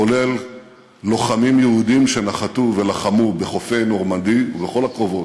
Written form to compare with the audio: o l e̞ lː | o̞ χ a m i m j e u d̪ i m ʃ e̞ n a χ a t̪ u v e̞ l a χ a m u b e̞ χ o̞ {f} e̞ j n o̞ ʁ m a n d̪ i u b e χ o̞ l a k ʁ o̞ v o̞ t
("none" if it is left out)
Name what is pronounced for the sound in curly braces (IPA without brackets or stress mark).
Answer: f